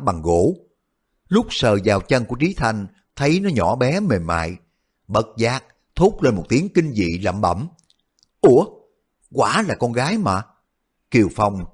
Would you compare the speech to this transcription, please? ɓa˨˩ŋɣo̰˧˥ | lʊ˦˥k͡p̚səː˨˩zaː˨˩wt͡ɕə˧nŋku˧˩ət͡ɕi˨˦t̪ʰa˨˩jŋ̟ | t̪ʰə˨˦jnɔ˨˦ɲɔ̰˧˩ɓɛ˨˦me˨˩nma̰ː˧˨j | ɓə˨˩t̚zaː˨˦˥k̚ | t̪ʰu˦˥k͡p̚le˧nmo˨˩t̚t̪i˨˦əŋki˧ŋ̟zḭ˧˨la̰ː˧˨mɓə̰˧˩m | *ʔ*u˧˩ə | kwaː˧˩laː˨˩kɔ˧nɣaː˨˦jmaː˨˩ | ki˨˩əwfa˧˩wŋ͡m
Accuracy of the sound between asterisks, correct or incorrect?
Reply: correct